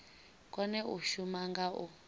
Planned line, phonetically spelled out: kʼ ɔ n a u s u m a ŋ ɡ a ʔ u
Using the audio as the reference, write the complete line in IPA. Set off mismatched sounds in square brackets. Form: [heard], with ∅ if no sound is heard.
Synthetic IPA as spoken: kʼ ɔ n [ɛ] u [ʃ] u m a ŋ ɡ a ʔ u

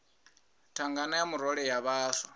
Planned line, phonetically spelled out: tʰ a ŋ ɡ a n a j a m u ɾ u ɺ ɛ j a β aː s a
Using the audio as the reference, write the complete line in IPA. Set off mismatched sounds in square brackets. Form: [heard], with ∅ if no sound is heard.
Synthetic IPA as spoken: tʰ a ŋ ɡ a n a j a m u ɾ [ɔ] ɺ ɛ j a β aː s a

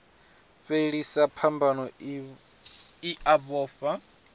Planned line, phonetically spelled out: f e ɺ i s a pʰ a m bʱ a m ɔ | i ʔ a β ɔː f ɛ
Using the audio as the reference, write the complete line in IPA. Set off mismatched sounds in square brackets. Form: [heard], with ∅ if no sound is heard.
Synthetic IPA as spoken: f e ɺ i s a pʰ a m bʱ a [n] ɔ | i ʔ a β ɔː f [a]

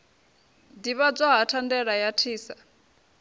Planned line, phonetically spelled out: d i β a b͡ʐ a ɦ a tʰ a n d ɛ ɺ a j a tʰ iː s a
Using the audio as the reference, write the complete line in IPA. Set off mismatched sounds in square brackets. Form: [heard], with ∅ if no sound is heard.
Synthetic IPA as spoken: d i β a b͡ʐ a ɦ a tʰ a n d ɛ ɺ a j a tʰ iː s a

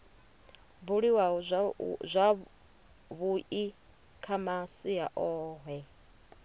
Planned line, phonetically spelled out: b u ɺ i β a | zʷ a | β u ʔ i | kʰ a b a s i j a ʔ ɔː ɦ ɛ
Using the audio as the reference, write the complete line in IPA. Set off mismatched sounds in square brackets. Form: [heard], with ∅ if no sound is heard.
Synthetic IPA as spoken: b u ɺ i [w] a | zʷ a | β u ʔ i | kʰ a [m] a s i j a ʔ ɔː ɦ ɛ

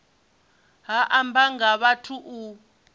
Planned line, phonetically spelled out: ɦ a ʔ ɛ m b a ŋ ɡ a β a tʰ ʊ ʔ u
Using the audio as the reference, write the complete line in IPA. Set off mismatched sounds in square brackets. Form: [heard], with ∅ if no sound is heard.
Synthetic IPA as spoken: ɦ a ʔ [a] m b a ŋ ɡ a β a tʰ [u] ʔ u

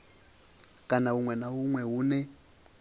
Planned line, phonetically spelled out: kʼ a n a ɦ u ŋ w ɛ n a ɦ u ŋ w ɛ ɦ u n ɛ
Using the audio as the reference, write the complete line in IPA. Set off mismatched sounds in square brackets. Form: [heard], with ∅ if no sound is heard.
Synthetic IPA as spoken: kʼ a n a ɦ u ŋ w ɛ n a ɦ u ŋ w ɛ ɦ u n ɛ

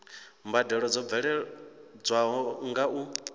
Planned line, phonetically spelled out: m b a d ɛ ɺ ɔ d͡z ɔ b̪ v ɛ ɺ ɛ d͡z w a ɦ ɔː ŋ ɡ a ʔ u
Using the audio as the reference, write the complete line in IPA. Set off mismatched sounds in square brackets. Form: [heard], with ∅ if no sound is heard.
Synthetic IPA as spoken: m b a d ɛ ɺ ɔ d͡z ɔ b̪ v ɛ ɺ ɛ d͡z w a ɦ [ɔ] ŋ ɡ a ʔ u

